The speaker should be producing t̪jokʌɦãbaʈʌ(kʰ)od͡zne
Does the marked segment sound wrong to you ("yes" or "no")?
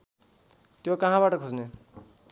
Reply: no